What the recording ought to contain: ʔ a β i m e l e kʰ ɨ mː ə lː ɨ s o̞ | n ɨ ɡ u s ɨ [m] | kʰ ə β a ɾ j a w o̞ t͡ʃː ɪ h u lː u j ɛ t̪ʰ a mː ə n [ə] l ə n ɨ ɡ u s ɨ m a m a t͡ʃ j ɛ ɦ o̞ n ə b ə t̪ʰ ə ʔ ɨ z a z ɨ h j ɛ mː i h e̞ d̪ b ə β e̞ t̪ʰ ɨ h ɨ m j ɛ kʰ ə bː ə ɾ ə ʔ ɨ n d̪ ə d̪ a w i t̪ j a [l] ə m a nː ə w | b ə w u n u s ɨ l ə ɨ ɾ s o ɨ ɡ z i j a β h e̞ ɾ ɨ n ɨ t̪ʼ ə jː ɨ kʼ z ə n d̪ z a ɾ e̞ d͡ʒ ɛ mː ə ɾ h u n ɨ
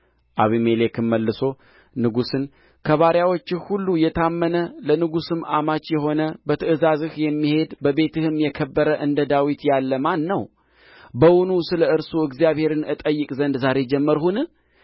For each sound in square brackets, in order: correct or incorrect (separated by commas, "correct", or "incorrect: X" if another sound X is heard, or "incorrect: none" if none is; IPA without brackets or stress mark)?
incorrect: n, correct, incorrect: lː